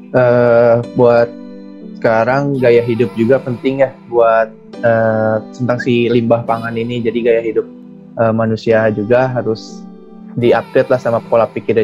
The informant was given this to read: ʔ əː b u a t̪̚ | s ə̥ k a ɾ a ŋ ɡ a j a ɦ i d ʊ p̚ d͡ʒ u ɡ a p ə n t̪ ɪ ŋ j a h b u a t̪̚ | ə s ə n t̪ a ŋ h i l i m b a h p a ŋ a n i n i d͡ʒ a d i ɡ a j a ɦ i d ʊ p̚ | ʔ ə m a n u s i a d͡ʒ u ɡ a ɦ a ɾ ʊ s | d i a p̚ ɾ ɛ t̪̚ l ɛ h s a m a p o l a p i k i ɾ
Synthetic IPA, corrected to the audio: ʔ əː b u a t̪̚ | s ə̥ k a ɾ a ŋ ɡ a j a ɦ i d ʊ p̚ d͡ʒ u ɡ a p ə n t̪ ɪ ŋ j a h b u a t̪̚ | ə s ə n t̪ a ŋ s i l i m b a h p a ŋ a n i n i d͡ʒ a d i ɡ a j a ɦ i d ʊ p̚ | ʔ ə m a n u s i a d͡ʒ u ɡ a ɦ a ɾ ʊ s | d i a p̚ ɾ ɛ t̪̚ l a h s a m a p o l a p i k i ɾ